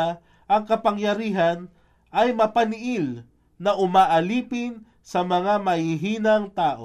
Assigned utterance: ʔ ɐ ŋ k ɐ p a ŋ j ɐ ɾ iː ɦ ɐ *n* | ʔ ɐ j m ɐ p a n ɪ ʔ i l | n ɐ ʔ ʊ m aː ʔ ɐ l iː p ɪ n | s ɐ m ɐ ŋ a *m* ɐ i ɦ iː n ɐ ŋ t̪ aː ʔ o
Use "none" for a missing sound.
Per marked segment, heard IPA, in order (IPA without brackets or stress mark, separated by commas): n, m